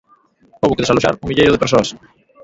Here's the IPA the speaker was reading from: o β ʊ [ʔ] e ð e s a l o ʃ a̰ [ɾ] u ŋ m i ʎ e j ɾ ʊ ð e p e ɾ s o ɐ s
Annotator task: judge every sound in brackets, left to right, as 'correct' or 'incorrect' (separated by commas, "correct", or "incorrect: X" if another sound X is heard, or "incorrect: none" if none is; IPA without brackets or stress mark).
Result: incorrect: k, correct